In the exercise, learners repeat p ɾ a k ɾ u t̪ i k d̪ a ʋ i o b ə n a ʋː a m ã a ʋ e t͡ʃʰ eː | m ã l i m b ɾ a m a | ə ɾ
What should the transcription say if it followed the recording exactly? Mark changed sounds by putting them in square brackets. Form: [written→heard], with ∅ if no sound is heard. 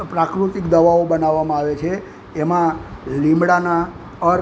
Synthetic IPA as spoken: p ɾ a k ɾ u t̪ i k d̪ [a→ə] ʋ [i→a] o b ə n a ʋː a m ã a ʋ e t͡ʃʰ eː | m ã l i m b [ɾ→ɽ] a [m→n] a | ə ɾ